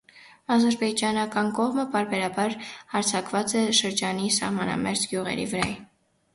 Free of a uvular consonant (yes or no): no